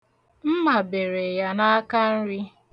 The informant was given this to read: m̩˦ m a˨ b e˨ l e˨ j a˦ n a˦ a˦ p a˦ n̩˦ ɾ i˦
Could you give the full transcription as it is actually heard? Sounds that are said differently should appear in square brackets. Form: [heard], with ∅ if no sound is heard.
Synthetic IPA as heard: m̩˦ m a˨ b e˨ [ɾ] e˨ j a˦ n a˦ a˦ [k] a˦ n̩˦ ɾ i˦